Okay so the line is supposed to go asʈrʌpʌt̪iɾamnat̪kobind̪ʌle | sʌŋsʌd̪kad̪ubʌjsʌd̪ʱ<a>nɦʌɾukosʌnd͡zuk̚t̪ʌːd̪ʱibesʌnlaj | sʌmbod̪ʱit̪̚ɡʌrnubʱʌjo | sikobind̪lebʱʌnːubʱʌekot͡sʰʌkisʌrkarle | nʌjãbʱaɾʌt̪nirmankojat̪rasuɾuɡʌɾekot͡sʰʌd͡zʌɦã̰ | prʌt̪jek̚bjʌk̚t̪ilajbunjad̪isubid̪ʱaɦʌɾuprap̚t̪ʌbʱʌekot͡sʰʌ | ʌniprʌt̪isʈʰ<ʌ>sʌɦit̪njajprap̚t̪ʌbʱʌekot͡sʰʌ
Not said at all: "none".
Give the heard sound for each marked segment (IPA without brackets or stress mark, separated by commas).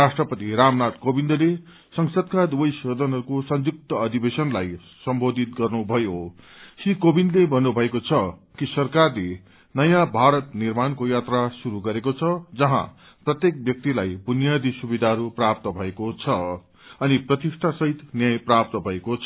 ʌ, a